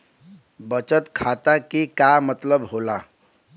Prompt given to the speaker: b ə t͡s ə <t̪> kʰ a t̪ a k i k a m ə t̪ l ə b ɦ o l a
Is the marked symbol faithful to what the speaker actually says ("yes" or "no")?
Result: yes